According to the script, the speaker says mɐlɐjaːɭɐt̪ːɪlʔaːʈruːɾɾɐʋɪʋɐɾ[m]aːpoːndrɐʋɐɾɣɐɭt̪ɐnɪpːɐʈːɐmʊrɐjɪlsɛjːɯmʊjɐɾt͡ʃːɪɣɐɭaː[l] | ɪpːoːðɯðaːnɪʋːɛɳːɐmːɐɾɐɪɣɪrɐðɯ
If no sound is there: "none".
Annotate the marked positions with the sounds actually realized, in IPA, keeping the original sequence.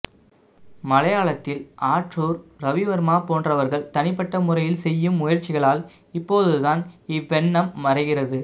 m, l

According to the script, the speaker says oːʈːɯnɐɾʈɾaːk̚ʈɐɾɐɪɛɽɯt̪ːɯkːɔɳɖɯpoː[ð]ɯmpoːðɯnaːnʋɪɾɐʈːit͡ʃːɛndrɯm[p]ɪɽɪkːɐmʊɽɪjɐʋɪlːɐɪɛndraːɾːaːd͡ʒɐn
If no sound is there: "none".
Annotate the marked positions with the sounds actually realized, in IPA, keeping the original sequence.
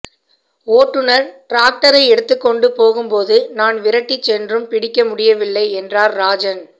ɣ, p

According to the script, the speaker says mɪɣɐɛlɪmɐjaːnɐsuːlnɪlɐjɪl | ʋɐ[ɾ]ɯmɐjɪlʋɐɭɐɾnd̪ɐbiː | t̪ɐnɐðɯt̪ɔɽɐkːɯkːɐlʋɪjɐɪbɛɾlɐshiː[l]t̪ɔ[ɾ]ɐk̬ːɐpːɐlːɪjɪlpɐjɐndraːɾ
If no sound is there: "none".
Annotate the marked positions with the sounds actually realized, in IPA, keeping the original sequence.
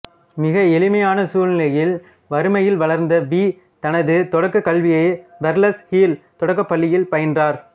ɾ, l, ɽ

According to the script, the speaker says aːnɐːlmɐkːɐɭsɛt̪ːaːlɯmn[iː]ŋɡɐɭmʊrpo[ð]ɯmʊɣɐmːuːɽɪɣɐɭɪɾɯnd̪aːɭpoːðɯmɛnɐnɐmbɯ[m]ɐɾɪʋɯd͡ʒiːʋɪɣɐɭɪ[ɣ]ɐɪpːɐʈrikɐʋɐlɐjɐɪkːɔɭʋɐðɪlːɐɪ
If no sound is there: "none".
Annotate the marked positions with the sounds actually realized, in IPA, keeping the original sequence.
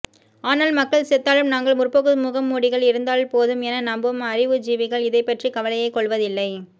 aː, ɣ, m, ð

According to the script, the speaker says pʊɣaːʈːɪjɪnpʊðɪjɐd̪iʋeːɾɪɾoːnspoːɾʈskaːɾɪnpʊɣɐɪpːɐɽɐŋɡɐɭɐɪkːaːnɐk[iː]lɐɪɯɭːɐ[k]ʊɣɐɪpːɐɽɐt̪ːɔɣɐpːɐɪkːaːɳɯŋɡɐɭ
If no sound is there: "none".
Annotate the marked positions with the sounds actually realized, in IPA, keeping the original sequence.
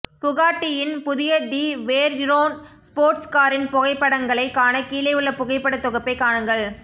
iː, p

